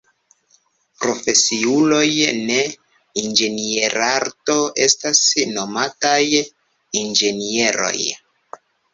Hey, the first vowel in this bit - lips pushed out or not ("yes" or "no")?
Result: yes